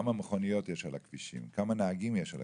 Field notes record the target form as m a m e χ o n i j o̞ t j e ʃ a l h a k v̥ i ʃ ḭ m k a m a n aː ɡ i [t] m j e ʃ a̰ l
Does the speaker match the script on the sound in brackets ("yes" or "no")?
no